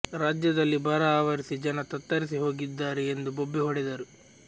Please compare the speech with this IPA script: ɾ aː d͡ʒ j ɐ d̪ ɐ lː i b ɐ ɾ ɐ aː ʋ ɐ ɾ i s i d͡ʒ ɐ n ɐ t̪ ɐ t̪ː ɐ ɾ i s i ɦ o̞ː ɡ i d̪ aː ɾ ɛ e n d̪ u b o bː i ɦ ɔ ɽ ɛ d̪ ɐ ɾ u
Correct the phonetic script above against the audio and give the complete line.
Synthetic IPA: ɾ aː d͡ʒ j ɐ d̪ ɐ lː i b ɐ ɾ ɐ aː ʋ ɐ ɾ i s i d͡ʒ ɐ n ɐ t̪ ɐ t̪ː ɐ ɾ i s i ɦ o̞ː ɡ i d̪ː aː ɾ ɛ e n d̪ u b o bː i ɦ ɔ ɽ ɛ d̪ ɐ ɾ u